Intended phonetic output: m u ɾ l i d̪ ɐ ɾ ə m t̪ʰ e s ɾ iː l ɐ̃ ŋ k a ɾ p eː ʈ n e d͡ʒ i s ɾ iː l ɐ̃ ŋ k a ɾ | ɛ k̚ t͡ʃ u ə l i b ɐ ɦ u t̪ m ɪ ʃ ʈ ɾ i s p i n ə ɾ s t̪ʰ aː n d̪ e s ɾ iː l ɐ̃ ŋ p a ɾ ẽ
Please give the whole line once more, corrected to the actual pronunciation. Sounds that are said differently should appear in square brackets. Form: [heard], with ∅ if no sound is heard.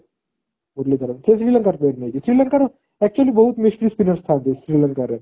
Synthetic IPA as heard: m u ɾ l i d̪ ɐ ɾ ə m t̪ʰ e s ɾ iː l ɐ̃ ŋ k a ɾ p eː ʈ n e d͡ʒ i s ɾ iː l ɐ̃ ŋ k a ɾ | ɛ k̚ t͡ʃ u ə l i b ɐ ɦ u t̪ m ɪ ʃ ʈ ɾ i s p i n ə ɾ s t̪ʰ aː n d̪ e s ɾ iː l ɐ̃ ŋ [k] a ɾ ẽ

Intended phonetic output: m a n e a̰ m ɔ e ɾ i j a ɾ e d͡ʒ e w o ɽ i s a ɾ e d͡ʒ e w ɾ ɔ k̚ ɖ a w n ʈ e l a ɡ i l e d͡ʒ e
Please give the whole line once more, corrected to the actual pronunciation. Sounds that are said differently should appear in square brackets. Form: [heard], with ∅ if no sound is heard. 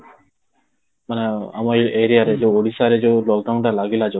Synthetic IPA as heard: m a n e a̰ m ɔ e ɾ i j a ɾ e d͡ʒ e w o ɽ i s a ɾ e d͡ʒ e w [l] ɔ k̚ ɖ a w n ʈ [a] l a ɡ i l [a] d͡ʒ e

